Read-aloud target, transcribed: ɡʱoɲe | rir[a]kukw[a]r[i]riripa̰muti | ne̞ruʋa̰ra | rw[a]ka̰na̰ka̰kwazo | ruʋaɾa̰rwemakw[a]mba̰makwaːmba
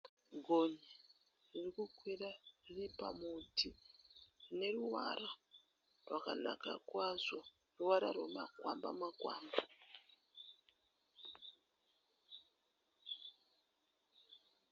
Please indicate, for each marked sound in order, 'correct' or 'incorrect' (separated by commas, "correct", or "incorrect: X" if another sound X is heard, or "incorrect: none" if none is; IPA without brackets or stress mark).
incorrect: i, incorrect: i, incorrect: a, correct, correct